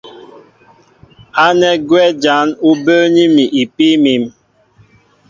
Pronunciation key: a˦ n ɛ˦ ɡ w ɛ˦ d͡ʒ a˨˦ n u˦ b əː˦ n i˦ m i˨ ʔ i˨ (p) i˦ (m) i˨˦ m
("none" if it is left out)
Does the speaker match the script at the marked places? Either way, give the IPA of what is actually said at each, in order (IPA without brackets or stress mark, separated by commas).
p, m